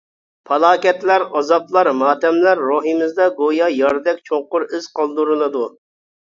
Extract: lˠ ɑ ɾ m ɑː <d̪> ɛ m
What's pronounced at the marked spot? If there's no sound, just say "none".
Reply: t̪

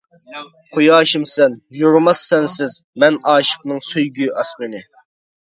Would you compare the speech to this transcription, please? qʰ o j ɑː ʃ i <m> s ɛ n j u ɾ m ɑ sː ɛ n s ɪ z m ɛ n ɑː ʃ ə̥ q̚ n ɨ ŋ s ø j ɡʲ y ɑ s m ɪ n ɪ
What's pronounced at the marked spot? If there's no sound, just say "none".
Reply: m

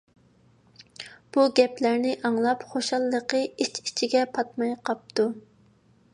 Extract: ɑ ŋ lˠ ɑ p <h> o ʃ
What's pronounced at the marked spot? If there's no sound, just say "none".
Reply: χ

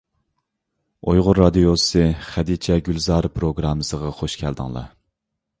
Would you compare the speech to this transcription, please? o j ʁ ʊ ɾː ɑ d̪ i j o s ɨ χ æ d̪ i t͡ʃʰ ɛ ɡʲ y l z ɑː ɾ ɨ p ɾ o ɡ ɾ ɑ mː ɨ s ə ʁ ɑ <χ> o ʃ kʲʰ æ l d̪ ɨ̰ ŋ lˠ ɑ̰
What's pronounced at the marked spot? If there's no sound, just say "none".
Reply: χ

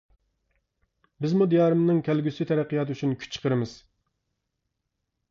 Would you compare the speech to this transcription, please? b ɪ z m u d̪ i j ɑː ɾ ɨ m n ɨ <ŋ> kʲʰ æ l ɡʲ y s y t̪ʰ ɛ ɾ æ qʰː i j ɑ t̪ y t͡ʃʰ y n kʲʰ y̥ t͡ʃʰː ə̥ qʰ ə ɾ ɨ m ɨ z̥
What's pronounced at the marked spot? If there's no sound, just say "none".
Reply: ŋ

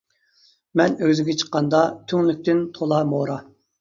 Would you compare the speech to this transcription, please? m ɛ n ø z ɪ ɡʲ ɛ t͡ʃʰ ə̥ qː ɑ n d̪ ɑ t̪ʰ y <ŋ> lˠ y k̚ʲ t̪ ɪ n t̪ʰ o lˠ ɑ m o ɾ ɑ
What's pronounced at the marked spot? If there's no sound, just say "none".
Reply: ŋ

